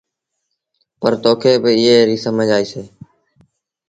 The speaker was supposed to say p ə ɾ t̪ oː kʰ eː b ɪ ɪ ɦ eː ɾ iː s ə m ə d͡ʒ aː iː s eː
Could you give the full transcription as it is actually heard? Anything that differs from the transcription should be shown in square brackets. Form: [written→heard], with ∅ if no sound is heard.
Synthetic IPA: p ə ɾ t̪ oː kʰ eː b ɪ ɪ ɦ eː ɾ iː s ə m ə d͡ʒ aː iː s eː